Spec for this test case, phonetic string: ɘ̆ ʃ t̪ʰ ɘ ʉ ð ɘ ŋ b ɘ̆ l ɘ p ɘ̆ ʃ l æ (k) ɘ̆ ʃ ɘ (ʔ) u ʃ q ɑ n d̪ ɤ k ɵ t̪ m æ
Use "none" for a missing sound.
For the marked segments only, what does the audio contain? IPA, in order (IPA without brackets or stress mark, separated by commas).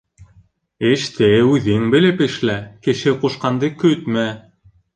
k, q